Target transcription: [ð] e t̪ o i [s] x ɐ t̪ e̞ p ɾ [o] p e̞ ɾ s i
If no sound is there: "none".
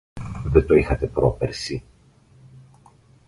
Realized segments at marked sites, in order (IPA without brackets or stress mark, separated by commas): ð, none, o